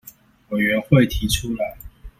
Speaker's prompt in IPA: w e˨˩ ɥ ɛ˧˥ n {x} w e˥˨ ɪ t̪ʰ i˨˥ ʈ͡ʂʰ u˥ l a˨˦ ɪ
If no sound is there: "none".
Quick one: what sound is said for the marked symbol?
x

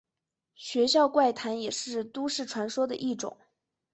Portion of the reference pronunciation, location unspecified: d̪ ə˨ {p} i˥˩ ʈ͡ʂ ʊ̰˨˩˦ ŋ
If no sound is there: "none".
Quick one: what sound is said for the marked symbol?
ʔ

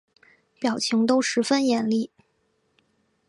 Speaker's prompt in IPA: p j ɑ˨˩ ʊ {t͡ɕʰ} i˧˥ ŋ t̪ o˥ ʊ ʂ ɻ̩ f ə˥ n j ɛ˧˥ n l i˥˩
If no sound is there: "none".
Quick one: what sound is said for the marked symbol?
t͡ɕʰ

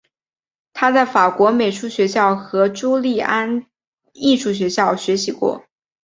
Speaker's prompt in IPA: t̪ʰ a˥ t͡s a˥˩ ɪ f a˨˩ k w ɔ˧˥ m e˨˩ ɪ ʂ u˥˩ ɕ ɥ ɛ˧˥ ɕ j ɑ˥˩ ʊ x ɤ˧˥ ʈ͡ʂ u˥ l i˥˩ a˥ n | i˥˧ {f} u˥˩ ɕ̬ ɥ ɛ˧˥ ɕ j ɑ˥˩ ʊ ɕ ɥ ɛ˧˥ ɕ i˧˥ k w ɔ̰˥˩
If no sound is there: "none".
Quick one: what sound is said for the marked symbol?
ʂ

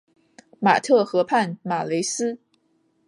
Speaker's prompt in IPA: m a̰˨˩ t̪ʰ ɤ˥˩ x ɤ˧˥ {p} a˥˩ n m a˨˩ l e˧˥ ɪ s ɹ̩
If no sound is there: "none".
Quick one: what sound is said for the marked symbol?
pʰ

